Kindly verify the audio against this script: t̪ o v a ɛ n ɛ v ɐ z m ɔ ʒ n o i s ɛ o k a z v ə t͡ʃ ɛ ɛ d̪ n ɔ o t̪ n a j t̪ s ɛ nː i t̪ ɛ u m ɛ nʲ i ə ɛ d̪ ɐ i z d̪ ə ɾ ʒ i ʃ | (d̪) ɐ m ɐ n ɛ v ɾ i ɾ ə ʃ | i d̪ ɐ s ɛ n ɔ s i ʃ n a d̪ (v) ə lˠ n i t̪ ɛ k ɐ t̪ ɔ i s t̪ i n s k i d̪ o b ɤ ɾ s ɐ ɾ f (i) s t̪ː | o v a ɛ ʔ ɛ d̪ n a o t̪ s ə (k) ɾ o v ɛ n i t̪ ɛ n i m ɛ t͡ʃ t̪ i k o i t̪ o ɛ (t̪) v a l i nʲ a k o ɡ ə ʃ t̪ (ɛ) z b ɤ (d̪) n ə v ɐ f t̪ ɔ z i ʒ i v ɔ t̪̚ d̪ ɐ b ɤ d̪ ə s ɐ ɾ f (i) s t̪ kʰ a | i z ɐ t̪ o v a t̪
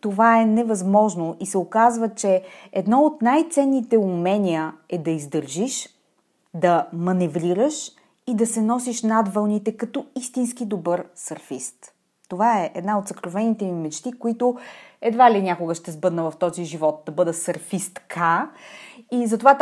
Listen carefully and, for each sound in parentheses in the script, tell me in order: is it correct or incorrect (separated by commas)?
correct, correct, correct, correct, incorrect, correct, correct, correct